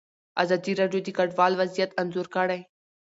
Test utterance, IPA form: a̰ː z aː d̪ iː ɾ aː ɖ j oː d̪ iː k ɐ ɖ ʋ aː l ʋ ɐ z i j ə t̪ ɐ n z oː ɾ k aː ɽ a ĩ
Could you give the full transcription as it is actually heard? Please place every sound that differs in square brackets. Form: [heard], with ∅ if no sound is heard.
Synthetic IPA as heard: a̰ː z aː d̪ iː ɾ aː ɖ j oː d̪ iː k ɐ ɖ ʋ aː l ʋ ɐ z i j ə t̪ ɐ n z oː ɾ k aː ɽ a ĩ